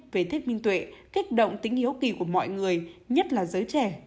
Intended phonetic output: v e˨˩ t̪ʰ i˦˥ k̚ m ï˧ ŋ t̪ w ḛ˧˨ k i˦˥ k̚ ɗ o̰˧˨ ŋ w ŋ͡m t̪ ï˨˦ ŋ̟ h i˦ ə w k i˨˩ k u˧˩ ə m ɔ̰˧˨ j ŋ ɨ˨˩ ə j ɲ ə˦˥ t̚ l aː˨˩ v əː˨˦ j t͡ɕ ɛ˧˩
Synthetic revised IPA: v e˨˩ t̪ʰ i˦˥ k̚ m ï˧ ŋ t̪ w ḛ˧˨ k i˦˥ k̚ ɗ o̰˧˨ w ŋ͡m t̪ ï˨˦ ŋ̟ h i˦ ə w k i˨˩ k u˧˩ ə m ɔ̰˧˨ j ŋ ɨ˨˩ ə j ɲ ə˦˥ t̚ l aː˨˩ z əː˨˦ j t͡ɕ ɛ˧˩